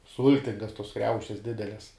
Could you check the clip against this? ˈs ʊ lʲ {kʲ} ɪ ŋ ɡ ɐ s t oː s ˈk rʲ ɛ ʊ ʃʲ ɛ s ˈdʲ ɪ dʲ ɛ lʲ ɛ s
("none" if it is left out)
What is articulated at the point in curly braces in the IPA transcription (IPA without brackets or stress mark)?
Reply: tʲ